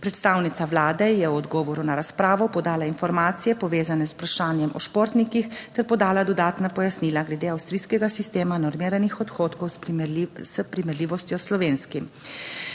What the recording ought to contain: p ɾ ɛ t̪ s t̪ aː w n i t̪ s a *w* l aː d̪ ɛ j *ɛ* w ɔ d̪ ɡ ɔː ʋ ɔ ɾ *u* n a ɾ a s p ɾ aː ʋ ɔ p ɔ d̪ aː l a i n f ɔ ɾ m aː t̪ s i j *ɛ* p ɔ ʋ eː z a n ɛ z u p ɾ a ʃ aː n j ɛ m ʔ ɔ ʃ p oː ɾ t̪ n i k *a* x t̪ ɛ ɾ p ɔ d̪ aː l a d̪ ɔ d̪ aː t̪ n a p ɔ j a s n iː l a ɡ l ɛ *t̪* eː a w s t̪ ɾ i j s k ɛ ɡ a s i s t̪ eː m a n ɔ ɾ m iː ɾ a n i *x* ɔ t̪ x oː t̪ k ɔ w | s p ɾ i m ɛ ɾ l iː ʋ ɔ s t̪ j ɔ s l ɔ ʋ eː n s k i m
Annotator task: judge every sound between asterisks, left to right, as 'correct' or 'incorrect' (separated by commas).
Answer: incorrect, correct, correct, correct, incorrect, incorrect, correct